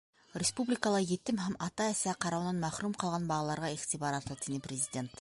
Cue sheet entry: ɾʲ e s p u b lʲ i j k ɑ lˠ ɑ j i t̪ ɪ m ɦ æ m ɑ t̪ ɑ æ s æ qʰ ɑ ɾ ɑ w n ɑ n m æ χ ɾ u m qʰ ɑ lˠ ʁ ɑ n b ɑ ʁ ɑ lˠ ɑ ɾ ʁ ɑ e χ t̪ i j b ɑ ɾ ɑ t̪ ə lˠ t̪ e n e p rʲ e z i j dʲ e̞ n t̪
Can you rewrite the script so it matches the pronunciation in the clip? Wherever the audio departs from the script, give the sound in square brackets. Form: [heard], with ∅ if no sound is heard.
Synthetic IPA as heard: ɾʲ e s p u b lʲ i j k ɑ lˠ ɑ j [e] t̪ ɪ m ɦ æ m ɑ t̪ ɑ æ s æ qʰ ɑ ɾ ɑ w n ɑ n m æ χ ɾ u m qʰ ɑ lˠ ʁ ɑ n b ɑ ʁ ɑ lˠ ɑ ɾ ʁ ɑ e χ t̪ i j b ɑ ɾ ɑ t̪ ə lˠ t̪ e n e p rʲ e z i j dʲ e̞ n t̪